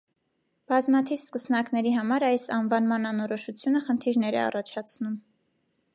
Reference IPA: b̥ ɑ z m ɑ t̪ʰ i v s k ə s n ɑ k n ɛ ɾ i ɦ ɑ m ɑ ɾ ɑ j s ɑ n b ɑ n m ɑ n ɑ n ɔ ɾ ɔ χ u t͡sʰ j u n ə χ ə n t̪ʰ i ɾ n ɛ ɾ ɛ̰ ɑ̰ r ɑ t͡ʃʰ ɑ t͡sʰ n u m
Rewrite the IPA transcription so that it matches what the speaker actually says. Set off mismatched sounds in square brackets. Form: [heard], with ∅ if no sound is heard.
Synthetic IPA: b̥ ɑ z m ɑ t̪ʰ i v s k ə s n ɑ k n ɛ ɾ i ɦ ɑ m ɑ ɾ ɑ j s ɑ n [v] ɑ n m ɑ n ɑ n ɔ ɾ ɔ [ʃ] u t͡sʰ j u n ə χ ə n t̪ʰ i ɾ n ɛ ɾ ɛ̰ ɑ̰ r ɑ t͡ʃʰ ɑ t͡sʰ n u m